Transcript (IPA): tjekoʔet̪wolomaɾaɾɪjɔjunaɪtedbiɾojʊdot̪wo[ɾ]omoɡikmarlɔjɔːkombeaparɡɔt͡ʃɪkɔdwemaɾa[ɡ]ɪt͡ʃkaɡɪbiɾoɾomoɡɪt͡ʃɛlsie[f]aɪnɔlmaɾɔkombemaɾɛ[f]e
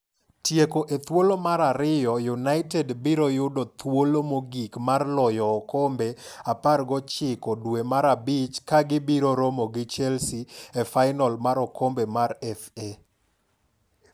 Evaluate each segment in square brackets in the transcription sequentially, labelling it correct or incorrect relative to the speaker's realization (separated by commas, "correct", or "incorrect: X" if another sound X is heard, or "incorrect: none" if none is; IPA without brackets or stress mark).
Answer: incorrect: l, incorrect: b, correct, correct